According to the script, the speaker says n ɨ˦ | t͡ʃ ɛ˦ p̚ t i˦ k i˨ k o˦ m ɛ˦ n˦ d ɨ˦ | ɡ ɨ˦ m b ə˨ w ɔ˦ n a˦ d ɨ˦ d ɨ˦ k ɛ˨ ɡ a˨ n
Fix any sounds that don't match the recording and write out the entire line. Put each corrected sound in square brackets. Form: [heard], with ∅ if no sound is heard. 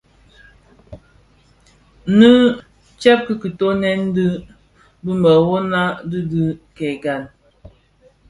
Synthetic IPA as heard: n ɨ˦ | t͡ʃ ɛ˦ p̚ [k] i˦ k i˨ [t] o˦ [n] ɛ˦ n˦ d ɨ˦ | [b] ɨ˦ m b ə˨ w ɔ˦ n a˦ d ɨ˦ d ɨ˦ k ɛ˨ ɡ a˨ n